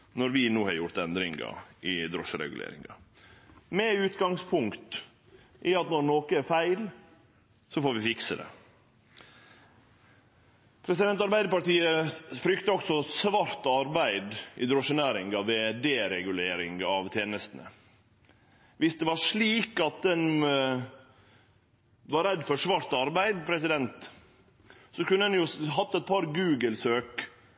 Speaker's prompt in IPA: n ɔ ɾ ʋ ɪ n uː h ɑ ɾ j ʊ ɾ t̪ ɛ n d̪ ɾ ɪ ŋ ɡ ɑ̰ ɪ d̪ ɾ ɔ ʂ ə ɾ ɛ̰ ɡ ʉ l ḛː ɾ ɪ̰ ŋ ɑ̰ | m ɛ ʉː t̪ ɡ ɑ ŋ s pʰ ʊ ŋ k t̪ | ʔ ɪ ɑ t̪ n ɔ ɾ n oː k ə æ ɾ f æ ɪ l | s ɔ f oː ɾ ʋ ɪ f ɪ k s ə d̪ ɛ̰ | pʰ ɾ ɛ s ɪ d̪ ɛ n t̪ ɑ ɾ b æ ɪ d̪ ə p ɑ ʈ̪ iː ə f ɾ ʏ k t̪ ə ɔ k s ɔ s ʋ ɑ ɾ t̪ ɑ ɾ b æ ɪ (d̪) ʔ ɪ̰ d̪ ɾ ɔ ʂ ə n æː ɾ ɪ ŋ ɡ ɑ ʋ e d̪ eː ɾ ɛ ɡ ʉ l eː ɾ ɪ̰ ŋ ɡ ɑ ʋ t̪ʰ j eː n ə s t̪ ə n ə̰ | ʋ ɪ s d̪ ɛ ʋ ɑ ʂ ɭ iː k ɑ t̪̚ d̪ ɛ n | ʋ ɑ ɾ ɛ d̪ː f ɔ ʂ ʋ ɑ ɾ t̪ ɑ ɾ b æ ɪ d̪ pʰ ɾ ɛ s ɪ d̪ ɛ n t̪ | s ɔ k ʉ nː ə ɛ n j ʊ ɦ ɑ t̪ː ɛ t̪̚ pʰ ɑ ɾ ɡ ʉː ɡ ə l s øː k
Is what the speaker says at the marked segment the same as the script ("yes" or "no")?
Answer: yes